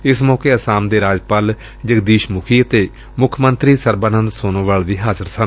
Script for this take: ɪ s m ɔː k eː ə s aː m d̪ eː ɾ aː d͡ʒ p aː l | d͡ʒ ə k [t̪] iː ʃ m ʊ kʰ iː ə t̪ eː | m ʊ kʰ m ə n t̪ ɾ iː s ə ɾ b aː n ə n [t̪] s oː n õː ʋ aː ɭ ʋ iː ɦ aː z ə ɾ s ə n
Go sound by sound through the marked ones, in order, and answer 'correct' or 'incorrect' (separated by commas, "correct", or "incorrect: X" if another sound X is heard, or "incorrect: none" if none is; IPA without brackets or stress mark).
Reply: incorrect: d̪, incorrect: d̪